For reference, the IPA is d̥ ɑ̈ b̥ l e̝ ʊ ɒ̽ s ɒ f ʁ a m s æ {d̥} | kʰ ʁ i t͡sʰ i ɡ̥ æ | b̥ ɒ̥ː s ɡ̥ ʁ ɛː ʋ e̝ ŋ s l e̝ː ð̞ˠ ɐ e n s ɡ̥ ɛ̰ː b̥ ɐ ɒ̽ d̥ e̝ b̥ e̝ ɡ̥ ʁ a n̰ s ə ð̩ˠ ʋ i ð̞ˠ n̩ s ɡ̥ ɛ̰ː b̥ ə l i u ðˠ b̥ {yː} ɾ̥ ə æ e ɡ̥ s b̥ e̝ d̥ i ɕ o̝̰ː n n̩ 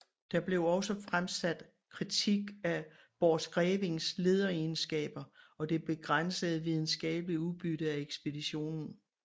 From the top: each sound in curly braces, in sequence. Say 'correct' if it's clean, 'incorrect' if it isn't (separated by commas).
correct, incorrect